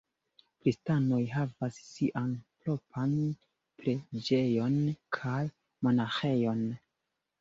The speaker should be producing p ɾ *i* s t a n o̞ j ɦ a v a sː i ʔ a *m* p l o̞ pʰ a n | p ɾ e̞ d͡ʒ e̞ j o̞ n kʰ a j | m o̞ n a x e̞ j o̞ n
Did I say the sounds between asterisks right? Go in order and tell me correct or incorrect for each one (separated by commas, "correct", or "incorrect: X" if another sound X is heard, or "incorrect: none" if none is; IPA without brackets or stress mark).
correct, incorrect: n